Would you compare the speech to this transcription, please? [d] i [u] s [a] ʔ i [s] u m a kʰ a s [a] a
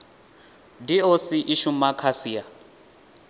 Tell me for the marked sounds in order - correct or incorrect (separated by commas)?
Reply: correct, incorrect, incorrect, incorrect, incorrect